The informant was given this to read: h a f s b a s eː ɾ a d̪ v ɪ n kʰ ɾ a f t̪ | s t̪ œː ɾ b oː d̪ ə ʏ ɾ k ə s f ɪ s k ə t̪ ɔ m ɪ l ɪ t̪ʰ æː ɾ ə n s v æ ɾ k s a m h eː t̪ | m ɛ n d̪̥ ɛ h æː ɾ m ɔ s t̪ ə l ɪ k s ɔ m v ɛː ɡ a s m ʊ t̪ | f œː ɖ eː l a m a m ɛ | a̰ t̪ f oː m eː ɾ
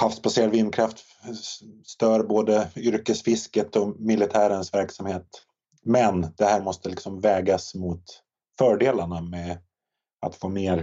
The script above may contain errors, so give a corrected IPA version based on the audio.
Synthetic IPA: h a f s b a s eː ɾ a d̪ v ɪ n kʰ ɾ a f t̪ | s t̪ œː ɾ b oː d̪ ə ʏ ɾ k ə s f ɪ s k ə t̪ ɔ m ɪ l ɪ t̪ʰ æː ɾ ə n s v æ ɾ k s a m h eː t̪ | m ɛ n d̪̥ ɛ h æː ɾ m ɔ s t̪ ə l ɪ k s ɔ m v ɛː ɡ a s m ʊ t̪ | f œː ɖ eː l a ɳ a m ɛ | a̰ t̪ f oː m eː ɾ